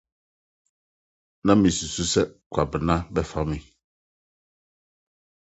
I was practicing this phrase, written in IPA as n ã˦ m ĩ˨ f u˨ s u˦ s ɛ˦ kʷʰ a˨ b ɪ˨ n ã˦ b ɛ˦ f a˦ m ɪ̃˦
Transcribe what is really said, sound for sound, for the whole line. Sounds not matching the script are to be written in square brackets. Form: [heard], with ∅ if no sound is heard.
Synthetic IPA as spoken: n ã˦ m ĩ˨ [s] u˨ s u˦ s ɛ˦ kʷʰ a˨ b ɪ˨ n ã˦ b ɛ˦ f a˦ m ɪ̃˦